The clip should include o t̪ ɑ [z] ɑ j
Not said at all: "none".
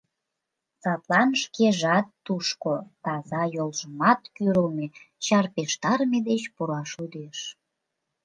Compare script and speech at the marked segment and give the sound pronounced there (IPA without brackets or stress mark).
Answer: z